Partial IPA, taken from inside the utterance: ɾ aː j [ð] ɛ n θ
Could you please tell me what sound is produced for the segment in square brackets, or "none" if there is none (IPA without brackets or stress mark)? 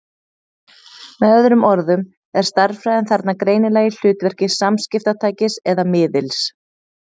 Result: ð